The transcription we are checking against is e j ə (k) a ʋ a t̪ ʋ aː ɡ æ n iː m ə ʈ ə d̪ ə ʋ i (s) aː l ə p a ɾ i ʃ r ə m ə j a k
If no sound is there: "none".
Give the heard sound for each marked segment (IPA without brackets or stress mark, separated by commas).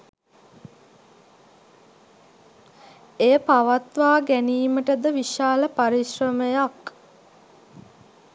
p, ʃ